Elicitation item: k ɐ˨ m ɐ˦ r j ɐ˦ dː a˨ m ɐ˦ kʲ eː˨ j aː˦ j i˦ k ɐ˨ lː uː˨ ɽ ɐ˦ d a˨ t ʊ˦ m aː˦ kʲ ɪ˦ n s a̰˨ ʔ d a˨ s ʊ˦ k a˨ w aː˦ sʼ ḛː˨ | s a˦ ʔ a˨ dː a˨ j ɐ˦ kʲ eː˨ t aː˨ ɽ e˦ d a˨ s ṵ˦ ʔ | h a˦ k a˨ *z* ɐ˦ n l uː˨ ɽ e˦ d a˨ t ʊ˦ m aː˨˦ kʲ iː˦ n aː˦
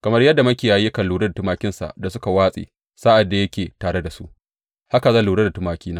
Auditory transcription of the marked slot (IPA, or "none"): z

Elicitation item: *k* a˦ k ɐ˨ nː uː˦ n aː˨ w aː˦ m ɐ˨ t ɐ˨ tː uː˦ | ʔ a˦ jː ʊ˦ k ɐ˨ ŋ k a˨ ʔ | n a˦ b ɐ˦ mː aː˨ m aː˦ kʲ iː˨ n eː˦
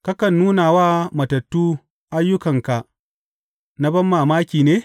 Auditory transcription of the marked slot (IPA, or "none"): k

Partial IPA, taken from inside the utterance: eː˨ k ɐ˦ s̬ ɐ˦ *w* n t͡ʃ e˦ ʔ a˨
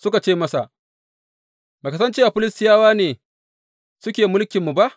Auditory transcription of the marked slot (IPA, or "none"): none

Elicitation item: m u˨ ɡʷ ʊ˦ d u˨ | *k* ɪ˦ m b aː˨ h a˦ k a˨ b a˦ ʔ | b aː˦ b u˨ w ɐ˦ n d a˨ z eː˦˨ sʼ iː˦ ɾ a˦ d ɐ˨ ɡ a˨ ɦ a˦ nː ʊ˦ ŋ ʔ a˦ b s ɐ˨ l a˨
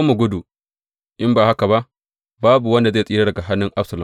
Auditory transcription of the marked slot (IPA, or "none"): ʔ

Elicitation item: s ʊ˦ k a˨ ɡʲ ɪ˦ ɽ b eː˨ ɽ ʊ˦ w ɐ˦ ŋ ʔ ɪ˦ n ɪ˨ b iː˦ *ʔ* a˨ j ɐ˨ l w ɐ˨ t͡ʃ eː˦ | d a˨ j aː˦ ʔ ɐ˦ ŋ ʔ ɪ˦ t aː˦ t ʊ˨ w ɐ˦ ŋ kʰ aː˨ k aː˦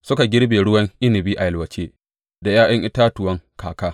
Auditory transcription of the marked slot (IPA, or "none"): ʔ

